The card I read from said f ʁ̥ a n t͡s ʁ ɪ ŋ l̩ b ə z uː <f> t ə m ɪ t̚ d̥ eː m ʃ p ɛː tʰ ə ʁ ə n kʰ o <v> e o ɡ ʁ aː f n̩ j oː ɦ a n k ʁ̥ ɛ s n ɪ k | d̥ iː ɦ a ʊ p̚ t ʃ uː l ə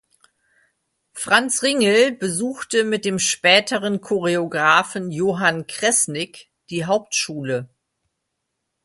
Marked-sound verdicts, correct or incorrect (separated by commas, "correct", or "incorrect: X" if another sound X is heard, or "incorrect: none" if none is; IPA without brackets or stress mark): incorrect: x, incorrect: ʁ